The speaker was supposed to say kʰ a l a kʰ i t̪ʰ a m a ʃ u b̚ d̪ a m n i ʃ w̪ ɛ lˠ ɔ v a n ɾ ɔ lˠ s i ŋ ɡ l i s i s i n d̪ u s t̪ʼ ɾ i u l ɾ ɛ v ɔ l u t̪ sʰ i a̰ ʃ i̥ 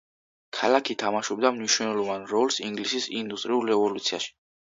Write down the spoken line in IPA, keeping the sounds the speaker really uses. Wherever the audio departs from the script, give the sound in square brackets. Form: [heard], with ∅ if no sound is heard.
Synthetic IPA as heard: kʰ a l a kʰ i t̪ʰ a m a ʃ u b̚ d̪ a m n i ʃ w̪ ɛ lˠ ɔ v a n ɾ ɔ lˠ s i ŋ ɡ l i s i s i n d̪ u s t̪ʼ ɾ i u l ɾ ɛ v ɔ l u t̪ sʰ i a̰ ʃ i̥